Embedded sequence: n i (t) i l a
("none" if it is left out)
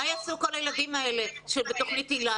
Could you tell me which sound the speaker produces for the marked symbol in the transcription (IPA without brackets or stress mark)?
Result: t